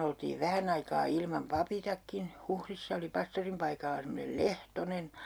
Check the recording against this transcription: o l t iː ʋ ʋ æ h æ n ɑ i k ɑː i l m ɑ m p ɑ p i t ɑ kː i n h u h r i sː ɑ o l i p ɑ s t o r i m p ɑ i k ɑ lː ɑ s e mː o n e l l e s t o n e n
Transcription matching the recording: o l t iː ʋ ʋ æ h æ n ɑ i k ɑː i l m ɑ m p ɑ p i t ɑ kː i n h u h r i sː ɑ o l i p ɑ s t o r i m p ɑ i k ɑ lː ɑ s e mː o n e l l e h t o n e n